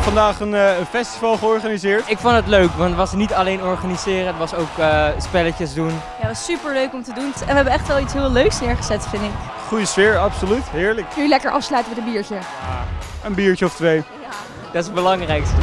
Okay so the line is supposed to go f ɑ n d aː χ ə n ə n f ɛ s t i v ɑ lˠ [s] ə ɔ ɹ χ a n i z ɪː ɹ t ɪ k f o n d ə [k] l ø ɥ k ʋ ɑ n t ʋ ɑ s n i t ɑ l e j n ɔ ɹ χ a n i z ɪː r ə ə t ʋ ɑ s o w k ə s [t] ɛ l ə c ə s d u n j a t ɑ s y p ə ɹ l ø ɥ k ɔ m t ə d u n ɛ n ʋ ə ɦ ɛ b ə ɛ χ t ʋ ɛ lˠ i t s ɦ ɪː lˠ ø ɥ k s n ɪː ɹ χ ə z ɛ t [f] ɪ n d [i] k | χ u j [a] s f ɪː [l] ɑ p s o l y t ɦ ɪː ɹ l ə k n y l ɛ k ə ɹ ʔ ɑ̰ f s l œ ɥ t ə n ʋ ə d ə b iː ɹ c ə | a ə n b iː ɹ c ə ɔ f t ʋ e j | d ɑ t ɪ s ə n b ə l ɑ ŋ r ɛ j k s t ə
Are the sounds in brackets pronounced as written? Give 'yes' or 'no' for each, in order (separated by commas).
no, no, no, yes, no, no, no